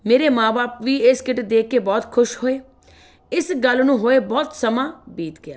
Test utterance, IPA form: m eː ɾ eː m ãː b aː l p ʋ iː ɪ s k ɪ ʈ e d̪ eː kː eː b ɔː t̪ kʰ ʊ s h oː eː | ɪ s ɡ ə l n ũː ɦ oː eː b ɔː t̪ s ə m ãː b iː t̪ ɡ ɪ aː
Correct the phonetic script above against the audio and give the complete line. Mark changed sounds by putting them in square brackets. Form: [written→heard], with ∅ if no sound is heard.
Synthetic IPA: m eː ɾ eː m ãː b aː [l→∅] p ʋ iː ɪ s k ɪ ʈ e d̪ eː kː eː b ɔː t̪ kʰ ʊ [s→ʃ] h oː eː | ɪ s ɡ ə l n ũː ɦ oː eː b ɔː t̪ s ə m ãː b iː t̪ ɡ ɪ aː